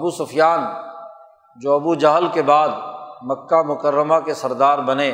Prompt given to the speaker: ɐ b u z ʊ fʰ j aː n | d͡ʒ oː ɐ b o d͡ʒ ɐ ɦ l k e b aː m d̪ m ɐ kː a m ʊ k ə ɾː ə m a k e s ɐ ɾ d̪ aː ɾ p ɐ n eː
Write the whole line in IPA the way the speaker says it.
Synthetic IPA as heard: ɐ b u s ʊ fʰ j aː n | d͡ʒ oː ɐ b u d͡ʒ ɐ ɦ l k e b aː d̪ m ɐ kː a m ʊ k ə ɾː ə m a k e s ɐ ɾ d̪ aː ɾ b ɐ n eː